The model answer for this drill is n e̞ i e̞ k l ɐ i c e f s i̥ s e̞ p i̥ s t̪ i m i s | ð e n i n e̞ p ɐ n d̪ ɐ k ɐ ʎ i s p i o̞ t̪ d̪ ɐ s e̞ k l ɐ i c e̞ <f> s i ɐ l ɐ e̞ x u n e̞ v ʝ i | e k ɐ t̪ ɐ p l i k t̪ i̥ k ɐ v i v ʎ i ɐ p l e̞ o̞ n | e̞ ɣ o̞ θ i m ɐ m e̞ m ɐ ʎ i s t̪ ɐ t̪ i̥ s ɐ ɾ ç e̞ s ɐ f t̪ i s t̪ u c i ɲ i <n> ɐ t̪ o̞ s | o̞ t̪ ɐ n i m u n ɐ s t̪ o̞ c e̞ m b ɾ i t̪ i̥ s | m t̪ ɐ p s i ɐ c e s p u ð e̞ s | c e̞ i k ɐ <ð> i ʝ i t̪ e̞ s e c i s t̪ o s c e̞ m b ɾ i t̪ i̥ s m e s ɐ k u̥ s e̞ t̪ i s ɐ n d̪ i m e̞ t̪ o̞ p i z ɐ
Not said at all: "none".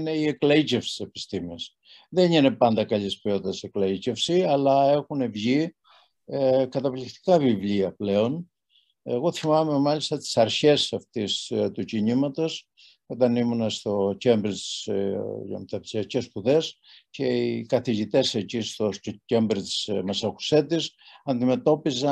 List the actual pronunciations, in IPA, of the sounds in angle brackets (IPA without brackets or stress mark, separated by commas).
f, m, θ